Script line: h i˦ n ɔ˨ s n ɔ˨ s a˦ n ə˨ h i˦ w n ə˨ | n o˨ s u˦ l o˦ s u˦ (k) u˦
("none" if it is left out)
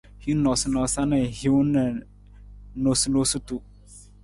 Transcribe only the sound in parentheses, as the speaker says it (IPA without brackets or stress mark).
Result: t